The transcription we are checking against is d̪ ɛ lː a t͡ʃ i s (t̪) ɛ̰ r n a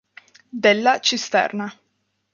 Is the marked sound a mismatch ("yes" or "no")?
no